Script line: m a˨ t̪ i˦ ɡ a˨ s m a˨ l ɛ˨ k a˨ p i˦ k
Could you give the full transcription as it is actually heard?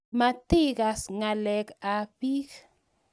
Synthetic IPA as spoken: m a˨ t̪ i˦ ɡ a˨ s ŋ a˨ l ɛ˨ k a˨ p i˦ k